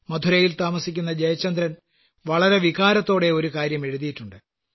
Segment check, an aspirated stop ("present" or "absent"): absent